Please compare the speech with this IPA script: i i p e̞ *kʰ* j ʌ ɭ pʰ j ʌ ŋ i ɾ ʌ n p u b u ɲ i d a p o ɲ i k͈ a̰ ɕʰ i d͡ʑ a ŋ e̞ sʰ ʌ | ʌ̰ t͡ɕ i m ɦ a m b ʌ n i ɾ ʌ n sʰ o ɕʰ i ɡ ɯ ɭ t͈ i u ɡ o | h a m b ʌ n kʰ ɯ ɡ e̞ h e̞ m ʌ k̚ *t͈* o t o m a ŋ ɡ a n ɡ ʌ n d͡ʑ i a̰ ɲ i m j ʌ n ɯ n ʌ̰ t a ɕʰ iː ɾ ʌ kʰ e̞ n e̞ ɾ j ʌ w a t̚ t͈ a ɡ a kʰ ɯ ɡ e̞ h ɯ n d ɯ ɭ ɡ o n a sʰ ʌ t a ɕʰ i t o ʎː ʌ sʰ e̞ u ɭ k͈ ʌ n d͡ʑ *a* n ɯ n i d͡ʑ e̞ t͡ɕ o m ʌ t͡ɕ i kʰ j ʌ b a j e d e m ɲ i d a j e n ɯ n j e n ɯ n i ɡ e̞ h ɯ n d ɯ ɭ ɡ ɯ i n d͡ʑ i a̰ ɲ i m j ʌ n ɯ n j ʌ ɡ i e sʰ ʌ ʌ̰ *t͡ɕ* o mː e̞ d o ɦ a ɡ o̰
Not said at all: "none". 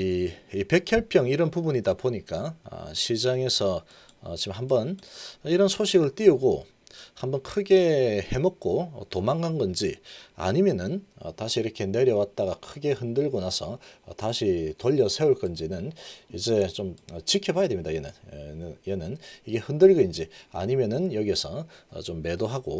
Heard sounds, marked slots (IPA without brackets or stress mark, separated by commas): kʰ, k͈, i, t͡ɕ